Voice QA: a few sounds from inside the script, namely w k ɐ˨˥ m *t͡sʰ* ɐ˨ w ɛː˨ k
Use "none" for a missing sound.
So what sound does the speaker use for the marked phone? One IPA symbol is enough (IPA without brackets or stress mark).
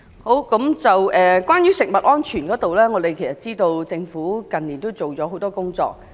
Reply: t͡s